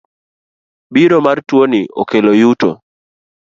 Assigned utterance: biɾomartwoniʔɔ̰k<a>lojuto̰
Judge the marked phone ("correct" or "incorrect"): incorrect